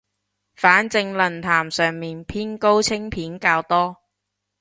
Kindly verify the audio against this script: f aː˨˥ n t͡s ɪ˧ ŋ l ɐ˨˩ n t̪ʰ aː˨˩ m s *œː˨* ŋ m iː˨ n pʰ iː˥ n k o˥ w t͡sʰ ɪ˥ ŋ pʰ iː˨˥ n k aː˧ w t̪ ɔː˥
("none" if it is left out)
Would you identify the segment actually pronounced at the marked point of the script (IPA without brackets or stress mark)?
œː˨